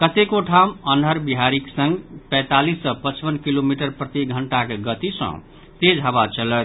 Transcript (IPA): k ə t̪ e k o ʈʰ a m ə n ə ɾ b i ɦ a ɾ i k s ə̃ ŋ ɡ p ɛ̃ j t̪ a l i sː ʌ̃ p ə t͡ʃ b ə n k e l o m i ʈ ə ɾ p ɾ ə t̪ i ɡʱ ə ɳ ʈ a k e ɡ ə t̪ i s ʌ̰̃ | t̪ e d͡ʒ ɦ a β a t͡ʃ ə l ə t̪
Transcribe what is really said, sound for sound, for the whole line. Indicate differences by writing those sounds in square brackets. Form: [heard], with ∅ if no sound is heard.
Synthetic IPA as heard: k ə t̪ e k o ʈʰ a m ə n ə ɾ b i ɦ a ɾ i k s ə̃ ŋ ɡ p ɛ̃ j t̪ a l i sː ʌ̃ p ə t͡ʃ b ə n k [i] l o m i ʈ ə ɾ p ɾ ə t̪ i ɡʱ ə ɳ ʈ a k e ɡ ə t̪ i s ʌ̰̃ | t̪ e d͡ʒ ɦ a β a t͡ʃ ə l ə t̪